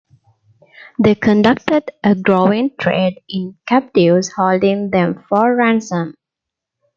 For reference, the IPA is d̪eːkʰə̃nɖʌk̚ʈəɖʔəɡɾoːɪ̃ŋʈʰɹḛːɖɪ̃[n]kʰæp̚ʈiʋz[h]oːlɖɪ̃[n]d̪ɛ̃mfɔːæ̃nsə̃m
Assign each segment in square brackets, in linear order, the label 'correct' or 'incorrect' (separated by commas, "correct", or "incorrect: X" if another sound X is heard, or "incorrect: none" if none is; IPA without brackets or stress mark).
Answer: correct, correct, incorrect: ŋ